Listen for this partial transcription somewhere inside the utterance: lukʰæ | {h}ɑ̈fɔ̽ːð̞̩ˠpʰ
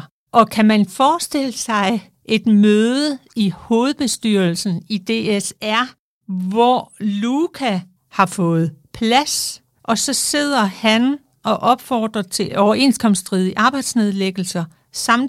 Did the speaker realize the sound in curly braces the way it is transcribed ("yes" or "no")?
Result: yes